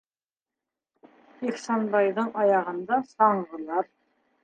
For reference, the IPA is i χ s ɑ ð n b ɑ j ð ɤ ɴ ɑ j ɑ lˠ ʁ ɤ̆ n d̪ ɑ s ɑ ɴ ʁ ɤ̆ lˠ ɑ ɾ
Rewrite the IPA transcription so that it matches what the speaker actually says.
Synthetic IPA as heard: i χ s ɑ n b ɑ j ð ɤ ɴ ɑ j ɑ ʁ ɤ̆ n d̪ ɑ s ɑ ɴ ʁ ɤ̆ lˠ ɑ ɾ